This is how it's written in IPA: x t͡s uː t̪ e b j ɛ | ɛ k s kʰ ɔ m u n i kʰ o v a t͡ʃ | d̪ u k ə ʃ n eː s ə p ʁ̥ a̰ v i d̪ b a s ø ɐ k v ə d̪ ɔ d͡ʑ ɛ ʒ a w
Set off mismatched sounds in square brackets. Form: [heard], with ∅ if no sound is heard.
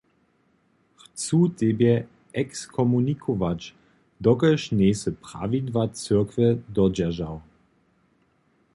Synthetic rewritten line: x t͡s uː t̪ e b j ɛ | ɛ k s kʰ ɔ m u n i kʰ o v a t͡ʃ | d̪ [ɔ] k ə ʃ n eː s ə p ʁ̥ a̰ v i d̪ [v] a [t͡s] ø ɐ k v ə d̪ ɔ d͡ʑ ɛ ʒ a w